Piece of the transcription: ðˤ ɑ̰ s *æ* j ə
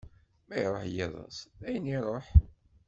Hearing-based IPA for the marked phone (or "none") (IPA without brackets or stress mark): æ